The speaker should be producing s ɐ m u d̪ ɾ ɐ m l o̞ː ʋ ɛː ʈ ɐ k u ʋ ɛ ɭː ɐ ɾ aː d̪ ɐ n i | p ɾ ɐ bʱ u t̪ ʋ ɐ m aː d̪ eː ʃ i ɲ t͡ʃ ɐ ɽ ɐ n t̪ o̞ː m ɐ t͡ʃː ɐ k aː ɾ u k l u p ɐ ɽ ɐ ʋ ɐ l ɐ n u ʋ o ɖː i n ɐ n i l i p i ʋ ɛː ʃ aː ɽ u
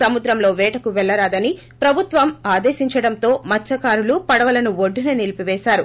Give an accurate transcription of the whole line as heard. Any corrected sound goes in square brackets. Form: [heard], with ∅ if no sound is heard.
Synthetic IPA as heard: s ɐ m u d̪ ɾ ɐ m l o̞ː ʋ ɛː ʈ ɐ k u ʋ ɛ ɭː ɐ ɾ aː d̪ ɐ n i | p ɾ ɐ bʱ u t̪ ʋ ɐ m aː d̪ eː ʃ i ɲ t͡ʃ ɐ ɽ ɐ n t̪ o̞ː m ɐ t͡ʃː ɐ k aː ɾ u [∅] l u p ɐ ɽ ɐ ʋ ɐ l ɐ n u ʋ o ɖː i n ɐ n i l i p i ʋ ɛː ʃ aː [ɾ] u